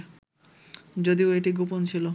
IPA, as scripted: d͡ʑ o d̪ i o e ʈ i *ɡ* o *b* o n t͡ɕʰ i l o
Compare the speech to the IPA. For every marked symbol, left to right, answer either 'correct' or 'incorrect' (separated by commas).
correct, incorrect